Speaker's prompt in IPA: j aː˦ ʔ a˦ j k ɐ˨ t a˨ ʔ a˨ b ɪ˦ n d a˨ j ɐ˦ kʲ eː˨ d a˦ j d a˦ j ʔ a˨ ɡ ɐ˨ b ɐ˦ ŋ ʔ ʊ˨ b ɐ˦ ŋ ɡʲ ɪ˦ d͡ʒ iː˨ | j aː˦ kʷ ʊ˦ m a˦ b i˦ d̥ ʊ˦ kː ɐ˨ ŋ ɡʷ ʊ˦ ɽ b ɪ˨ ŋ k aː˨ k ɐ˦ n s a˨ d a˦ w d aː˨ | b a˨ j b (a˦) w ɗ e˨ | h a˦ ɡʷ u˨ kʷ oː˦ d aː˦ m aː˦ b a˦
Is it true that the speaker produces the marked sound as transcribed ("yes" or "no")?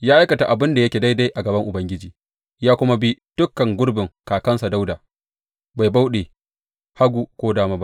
yes